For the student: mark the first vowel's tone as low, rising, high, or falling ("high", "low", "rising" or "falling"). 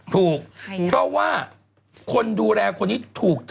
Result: low